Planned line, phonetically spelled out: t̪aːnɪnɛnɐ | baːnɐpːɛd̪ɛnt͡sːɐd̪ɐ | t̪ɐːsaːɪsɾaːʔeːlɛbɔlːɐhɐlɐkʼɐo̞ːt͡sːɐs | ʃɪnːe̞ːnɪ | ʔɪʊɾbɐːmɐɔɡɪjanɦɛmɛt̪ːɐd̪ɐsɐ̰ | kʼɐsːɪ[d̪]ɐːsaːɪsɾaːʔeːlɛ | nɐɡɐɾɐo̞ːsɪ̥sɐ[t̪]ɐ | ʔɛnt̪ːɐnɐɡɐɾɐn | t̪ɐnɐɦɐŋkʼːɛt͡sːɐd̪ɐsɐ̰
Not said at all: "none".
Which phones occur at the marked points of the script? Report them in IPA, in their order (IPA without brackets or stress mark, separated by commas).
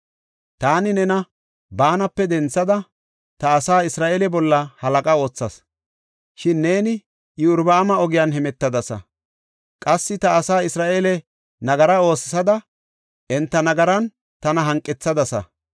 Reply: t̪, d̪